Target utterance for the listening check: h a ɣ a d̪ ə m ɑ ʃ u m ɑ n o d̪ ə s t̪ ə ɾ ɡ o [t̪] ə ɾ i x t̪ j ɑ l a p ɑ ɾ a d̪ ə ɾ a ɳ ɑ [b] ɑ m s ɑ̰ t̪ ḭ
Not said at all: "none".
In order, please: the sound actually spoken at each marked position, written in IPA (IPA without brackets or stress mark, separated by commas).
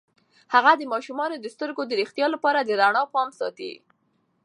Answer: d̪, p